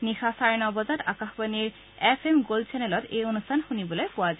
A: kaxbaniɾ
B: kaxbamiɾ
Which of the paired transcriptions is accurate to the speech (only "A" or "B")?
A